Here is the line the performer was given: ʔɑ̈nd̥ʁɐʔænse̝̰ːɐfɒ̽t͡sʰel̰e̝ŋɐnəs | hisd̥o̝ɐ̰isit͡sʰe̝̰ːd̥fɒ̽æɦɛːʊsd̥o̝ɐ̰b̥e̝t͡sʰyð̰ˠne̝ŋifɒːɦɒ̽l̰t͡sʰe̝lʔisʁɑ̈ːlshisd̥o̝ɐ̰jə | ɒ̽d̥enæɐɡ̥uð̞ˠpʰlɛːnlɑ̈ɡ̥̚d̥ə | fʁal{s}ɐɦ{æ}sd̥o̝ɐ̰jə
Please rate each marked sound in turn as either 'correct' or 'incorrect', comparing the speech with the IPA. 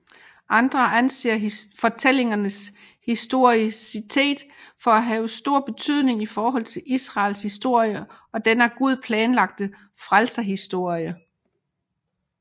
correct, incorrect: i

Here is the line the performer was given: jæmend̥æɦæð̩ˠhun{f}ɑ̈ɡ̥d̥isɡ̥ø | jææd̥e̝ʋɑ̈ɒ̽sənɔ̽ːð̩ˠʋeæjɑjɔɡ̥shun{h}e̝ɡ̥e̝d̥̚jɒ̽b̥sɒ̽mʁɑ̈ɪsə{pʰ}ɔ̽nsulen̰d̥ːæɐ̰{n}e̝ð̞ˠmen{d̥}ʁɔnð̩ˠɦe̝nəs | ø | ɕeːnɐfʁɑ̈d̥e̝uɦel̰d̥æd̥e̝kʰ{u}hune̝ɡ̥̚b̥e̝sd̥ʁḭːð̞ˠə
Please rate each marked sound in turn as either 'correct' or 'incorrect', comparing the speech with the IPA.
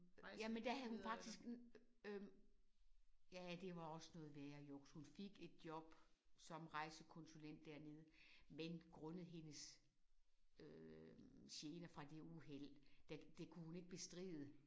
correct, incorrect: f, incorrect: kʰ, correct, incorrect: ɡ̥, correct

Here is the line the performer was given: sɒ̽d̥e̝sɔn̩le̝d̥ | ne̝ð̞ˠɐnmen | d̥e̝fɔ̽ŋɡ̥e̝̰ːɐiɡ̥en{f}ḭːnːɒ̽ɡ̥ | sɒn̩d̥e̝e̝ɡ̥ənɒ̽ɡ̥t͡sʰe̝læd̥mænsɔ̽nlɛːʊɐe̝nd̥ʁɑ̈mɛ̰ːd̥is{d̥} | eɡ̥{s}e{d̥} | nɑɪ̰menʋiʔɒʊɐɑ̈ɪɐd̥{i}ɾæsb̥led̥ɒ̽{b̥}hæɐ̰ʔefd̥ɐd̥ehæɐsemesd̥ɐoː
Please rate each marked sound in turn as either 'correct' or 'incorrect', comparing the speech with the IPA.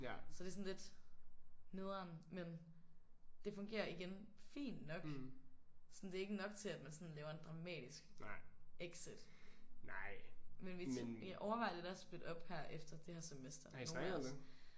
correct, incorrect: ɡ̥, correct, correct, incorrect: e, correct

